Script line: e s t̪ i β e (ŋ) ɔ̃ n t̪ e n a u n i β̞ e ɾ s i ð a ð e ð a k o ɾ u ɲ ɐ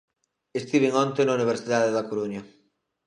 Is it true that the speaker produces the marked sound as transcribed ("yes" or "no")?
yes